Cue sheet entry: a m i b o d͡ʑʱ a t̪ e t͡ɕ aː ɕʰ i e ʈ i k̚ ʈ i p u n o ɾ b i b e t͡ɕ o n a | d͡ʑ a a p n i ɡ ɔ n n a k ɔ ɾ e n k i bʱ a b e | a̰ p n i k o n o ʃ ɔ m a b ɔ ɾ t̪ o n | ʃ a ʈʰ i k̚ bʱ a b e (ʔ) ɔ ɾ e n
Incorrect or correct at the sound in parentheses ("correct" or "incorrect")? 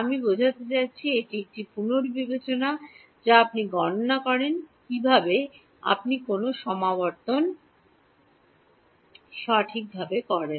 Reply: incorrect